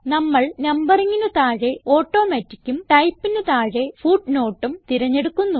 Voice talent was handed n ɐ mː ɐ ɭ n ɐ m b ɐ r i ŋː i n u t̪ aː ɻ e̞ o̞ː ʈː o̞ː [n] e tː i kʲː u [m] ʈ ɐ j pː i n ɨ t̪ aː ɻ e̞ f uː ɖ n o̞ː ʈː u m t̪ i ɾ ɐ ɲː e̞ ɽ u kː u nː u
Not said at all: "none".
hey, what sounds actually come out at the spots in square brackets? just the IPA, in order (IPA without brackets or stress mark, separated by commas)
m, m